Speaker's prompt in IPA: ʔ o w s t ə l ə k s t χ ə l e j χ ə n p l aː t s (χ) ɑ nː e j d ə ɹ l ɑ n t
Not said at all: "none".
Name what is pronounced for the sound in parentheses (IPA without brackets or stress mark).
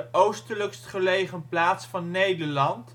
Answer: f